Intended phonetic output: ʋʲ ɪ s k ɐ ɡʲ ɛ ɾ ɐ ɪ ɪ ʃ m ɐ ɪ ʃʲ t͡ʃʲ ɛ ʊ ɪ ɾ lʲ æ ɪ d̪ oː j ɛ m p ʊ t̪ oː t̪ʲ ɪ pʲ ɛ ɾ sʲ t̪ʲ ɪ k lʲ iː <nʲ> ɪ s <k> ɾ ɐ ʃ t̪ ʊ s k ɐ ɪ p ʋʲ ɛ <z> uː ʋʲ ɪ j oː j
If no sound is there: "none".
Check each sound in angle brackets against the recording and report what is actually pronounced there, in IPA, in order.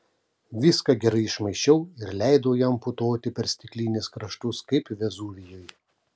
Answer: nʲ, k, z

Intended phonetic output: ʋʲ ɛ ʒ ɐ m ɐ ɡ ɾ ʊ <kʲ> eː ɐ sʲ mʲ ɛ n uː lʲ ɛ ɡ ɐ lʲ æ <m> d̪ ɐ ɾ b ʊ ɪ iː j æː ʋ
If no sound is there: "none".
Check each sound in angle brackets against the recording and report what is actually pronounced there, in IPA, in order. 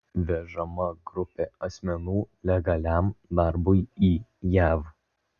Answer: pʲ, m

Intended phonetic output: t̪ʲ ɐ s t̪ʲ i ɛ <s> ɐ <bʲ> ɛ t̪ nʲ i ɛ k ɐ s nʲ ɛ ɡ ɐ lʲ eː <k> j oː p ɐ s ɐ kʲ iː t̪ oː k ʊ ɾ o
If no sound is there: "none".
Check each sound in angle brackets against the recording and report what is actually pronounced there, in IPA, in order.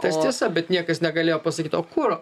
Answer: s, bʲ, none

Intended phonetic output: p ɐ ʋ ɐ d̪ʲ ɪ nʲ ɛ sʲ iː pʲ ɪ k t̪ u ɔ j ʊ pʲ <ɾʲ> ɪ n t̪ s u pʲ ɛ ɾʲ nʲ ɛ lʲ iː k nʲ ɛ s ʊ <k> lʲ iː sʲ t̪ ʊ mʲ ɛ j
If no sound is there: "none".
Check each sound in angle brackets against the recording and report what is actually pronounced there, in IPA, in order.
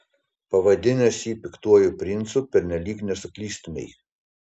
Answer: ɾʲ, k

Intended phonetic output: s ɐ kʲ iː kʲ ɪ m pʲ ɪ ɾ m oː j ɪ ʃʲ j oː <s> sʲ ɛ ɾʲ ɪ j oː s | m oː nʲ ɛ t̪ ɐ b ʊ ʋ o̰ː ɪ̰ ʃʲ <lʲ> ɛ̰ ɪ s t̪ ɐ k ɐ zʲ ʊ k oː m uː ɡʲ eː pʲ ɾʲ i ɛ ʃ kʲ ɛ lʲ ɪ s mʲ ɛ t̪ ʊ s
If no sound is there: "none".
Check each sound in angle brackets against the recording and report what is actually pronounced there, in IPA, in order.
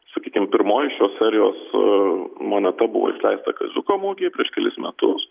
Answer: s, lʲ

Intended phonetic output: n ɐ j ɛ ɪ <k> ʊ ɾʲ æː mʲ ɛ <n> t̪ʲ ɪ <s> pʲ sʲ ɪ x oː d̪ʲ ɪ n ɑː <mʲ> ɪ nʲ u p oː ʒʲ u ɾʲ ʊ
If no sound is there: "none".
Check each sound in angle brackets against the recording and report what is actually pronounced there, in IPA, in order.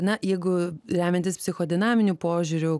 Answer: ɡ, n, s, mʲ

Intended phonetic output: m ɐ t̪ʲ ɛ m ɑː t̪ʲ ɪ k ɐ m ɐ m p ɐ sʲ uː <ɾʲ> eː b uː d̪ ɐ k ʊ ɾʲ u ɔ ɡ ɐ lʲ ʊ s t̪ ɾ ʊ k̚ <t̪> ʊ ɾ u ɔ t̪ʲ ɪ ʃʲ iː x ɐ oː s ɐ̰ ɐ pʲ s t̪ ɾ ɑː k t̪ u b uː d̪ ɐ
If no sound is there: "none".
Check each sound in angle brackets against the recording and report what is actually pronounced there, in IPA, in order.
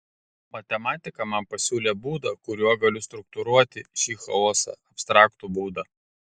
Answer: lʲ, t̪

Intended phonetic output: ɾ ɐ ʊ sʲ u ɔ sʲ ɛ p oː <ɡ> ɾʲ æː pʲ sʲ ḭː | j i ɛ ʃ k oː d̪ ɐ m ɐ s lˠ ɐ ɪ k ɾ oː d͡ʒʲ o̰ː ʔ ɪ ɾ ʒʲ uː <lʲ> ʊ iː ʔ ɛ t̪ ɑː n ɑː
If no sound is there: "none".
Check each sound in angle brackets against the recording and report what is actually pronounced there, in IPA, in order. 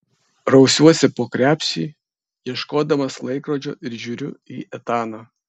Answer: k, ɾʲ

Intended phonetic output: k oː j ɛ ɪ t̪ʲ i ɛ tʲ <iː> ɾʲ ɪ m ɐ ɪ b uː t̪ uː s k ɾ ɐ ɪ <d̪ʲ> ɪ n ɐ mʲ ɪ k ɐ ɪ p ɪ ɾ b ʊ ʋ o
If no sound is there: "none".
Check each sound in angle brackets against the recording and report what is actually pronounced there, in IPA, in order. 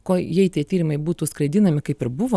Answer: iː, d̪ʲ

